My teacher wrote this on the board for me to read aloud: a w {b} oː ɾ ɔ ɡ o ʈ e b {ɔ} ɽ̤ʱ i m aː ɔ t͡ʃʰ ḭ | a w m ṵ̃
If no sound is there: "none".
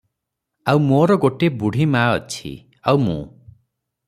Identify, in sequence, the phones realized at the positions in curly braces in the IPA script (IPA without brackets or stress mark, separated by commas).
m, u